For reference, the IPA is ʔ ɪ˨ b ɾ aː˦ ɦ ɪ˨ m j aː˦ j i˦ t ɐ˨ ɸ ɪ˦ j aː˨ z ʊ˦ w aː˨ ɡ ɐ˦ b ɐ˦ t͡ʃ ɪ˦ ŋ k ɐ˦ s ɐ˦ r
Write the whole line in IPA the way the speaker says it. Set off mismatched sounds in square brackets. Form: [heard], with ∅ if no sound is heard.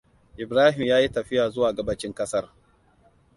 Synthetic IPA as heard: ʔ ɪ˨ b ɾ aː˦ ɦ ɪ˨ m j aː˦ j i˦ t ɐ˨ ɸ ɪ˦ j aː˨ z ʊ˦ w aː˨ ɡ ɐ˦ b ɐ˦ t͡ʃ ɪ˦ ŋ k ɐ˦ s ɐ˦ r